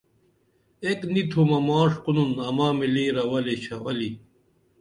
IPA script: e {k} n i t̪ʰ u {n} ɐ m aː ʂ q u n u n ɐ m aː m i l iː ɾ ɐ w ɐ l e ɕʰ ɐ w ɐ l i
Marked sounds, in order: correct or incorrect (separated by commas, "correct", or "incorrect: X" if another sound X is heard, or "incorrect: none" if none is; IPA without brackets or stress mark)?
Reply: correct, incorrect: m